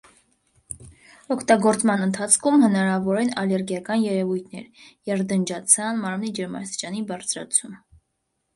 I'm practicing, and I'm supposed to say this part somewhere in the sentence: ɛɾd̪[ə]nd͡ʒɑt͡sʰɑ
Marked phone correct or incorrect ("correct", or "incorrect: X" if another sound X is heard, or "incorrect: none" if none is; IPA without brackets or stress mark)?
correct